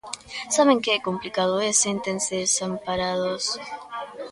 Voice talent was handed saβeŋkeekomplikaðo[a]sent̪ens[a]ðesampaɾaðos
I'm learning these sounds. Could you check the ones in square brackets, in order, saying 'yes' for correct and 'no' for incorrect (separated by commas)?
no, no